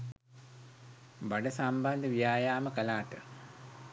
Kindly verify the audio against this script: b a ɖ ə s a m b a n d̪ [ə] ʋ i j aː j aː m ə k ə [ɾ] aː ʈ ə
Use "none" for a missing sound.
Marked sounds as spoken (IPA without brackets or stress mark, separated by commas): ə, l